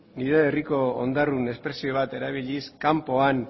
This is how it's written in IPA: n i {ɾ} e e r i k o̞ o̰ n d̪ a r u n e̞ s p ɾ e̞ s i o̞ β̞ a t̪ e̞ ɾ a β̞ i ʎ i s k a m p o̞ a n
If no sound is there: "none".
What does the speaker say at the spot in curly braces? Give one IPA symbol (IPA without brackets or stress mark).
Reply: ɾ